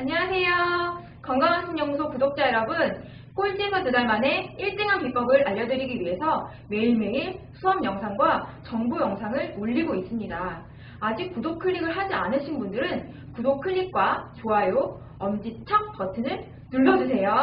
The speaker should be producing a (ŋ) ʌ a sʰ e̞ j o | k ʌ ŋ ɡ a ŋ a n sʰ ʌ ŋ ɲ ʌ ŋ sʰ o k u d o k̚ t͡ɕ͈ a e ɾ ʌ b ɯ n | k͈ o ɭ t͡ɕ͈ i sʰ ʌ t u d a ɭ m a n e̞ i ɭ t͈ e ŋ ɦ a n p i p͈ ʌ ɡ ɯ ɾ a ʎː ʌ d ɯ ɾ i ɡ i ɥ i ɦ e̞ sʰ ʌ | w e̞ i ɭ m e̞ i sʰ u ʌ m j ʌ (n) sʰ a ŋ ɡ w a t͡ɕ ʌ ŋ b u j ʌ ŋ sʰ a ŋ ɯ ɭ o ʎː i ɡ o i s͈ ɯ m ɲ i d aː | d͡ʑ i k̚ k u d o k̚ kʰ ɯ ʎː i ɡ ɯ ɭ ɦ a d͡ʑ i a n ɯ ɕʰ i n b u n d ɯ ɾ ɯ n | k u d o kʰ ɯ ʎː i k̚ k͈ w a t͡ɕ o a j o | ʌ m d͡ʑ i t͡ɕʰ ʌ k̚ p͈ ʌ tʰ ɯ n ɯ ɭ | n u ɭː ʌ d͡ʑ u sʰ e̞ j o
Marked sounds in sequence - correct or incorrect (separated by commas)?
incorrect, incorrect